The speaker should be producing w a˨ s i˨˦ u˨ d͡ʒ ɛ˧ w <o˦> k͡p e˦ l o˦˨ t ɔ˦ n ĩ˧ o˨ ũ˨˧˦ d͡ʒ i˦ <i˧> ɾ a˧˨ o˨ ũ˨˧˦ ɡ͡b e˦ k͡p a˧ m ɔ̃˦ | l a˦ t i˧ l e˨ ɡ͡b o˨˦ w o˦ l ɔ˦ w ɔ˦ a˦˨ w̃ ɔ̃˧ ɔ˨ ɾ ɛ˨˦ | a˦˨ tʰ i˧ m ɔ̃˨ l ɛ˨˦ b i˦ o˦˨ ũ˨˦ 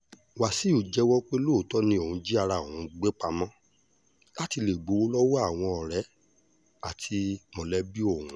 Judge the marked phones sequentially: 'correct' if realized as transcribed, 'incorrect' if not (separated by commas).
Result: incorrect, incorrect